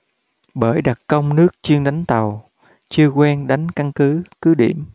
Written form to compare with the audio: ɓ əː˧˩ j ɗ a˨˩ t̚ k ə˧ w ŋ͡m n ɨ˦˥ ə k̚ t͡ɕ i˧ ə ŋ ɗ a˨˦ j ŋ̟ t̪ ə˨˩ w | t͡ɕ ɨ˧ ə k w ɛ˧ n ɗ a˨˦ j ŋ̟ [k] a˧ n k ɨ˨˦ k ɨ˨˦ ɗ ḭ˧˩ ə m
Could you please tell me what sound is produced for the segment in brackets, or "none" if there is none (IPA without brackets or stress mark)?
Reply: k